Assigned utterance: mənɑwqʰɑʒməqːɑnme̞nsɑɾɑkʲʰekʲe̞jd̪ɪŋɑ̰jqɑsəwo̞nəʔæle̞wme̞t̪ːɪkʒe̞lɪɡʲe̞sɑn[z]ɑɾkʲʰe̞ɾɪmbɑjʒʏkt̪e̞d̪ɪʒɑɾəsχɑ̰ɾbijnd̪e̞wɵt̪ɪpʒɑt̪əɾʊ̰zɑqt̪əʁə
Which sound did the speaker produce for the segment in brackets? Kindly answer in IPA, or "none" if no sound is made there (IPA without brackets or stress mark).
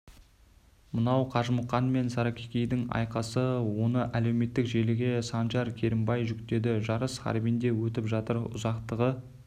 ʒ